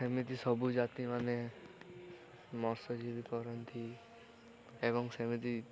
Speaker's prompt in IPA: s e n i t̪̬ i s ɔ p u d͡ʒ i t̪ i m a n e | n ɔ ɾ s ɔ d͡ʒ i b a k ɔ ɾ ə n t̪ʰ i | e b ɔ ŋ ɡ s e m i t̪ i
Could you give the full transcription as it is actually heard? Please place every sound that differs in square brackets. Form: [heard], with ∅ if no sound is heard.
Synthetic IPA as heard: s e [m] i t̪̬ i s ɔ [b] u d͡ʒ [a] t̪ i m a n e | [m] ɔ ɾ s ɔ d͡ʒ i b [i] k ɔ ɾ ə n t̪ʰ i | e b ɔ ŋ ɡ s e m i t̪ i